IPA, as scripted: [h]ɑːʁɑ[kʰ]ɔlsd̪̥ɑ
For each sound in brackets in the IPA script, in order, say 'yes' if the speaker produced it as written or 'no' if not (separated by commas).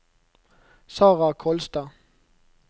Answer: no, yes